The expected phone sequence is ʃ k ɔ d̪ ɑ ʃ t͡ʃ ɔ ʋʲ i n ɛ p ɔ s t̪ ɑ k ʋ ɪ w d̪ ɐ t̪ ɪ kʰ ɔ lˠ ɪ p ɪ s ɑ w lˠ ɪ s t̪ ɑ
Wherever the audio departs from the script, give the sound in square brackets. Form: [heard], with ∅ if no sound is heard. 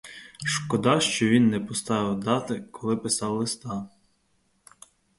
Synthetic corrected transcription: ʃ k ɔ d̪ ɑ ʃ t͡ʃ ɔ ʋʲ i [nː] ɛ p ɔ s t̪ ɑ [∅] ʋ ɪ w d̪ [ɑ] t̪ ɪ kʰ ɔ lˠ ɪ p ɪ s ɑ w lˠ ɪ s t̪ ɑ